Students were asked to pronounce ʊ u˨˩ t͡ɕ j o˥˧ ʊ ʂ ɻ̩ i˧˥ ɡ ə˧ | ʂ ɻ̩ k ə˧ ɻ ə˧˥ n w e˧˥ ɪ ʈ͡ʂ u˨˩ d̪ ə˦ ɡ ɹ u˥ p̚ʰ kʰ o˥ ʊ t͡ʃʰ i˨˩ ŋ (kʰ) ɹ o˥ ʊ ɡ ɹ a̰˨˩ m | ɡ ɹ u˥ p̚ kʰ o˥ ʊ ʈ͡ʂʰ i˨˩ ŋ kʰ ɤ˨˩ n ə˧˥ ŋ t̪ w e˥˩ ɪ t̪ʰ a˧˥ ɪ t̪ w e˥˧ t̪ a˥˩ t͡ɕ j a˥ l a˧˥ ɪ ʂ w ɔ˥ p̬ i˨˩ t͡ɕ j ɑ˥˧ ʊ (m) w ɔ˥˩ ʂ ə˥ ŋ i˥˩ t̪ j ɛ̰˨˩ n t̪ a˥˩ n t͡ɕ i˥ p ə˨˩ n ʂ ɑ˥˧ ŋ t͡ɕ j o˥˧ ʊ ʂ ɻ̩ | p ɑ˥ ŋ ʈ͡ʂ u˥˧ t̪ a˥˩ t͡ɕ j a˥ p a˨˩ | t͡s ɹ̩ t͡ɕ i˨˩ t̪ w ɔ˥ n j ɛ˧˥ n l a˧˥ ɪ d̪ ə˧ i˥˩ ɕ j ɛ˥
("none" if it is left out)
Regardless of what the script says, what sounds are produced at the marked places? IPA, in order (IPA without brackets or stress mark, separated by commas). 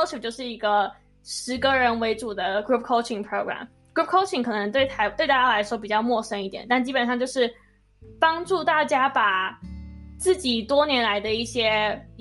pʰ, m